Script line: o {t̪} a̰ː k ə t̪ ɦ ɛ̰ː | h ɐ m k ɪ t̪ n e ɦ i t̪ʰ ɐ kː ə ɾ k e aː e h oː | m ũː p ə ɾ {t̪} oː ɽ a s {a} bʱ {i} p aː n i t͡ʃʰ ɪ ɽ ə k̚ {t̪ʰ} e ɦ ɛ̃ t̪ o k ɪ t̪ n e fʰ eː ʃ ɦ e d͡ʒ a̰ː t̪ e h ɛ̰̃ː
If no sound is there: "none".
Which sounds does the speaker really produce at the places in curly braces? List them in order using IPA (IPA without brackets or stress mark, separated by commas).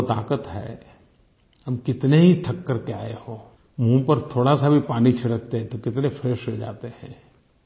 t̪, t̪ʰ, a, i, t̪